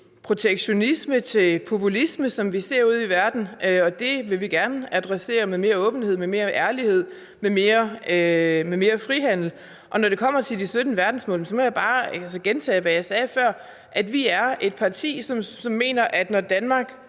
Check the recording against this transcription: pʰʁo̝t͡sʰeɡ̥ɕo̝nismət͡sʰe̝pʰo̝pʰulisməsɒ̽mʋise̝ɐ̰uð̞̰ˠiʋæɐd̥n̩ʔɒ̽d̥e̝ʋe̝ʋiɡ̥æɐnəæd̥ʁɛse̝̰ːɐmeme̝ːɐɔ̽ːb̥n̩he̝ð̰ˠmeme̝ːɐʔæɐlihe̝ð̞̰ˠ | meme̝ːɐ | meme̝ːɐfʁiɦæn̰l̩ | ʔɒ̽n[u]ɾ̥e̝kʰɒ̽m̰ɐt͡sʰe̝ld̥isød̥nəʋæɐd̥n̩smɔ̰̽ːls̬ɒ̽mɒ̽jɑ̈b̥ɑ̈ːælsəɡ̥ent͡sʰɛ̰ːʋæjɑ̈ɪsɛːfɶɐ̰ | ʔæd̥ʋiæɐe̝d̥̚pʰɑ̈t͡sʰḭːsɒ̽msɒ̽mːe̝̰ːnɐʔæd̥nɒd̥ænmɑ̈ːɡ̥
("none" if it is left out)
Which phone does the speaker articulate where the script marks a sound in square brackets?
ɒ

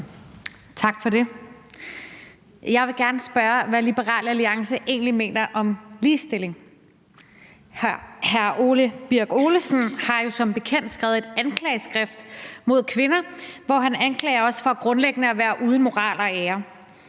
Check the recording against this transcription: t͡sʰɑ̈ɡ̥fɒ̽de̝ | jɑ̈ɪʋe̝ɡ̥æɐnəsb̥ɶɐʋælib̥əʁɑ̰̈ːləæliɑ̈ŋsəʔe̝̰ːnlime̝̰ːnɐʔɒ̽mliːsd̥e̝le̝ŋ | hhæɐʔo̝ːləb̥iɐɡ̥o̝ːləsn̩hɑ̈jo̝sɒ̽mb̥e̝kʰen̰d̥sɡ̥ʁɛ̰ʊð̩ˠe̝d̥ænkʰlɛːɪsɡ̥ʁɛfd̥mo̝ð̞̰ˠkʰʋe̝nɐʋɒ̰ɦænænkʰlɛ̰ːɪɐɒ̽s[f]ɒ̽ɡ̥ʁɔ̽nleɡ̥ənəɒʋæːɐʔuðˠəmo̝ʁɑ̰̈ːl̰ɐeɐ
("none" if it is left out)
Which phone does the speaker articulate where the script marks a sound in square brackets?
f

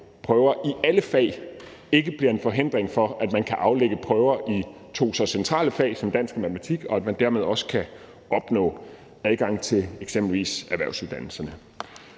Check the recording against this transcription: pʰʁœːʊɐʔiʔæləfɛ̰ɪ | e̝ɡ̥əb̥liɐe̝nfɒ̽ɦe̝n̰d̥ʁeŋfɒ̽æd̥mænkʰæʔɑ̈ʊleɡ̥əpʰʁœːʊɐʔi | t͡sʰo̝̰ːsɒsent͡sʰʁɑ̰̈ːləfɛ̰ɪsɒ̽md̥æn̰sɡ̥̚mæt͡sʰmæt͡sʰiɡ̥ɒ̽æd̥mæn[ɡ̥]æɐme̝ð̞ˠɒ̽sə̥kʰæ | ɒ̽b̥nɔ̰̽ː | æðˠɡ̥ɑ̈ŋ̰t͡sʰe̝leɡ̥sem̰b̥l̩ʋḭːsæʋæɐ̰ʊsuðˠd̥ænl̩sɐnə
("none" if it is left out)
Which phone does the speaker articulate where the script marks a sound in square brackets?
d̥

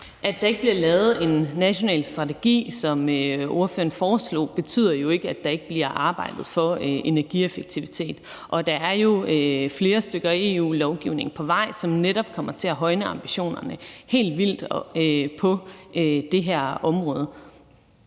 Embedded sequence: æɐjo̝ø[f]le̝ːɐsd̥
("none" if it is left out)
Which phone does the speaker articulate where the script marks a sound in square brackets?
f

